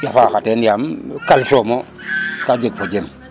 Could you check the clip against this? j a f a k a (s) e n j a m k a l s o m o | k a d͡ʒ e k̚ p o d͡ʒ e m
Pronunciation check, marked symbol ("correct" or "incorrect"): incorrect